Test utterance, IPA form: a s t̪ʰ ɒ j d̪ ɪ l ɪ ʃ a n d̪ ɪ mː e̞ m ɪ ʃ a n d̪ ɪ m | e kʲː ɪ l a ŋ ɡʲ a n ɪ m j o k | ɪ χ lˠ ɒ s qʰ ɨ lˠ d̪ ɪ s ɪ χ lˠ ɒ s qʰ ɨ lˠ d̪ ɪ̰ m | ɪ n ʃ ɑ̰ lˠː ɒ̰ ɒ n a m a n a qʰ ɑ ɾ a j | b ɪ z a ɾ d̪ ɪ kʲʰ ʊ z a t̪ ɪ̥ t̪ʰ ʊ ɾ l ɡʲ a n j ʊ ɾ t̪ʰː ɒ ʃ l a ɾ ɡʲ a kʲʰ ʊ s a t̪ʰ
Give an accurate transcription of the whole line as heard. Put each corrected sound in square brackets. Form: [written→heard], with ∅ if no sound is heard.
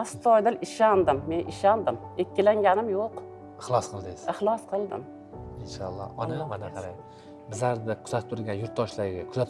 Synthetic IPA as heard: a s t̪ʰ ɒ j d̪ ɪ l ɪ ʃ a n d̪ ɪ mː e̞ [m→n] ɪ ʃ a n d̪ ɪ m | e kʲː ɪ l a ŋ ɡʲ a n ɪ m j o [k→q] | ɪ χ lˠ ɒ s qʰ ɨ lˠ d̪ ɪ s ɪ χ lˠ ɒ s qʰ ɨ lˠ d̪ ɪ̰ m | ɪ n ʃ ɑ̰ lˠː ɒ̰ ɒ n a m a n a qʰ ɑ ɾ a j | b ɪ z a ɾ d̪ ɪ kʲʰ ʊ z a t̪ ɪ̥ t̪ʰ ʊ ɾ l ɡʲ a n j ʊ ɾ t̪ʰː ɒ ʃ l a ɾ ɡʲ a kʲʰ ʊ [s→z] a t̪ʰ